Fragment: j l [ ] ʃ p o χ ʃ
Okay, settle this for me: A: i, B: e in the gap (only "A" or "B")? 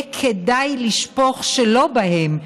A